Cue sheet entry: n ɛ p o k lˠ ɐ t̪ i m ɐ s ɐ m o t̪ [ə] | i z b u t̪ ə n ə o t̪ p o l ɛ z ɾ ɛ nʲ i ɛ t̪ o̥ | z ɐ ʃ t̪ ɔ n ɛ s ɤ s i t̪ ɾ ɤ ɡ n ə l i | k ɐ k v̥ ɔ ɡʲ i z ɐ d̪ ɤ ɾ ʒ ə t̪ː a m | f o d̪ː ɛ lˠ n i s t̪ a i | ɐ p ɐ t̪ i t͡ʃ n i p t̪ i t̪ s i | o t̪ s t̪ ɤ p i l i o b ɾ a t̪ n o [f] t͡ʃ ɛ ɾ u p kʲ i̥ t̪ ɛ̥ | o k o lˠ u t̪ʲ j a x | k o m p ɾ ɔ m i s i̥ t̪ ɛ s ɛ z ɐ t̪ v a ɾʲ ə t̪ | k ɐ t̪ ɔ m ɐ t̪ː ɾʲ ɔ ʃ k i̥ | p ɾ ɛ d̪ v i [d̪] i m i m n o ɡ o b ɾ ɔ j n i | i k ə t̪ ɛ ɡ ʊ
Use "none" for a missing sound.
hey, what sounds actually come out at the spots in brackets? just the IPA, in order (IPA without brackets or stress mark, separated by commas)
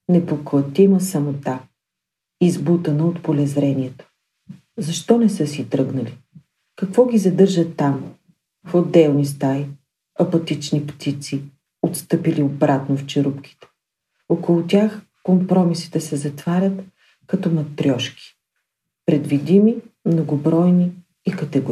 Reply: a, f, d̪